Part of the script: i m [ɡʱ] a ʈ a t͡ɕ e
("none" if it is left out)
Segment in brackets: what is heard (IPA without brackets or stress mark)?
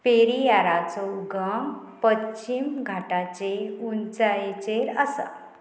ɡʱ